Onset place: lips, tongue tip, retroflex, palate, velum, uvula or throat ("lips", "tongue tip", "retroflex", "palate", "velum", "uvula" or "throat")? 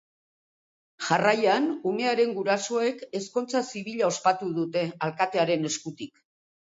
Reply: palate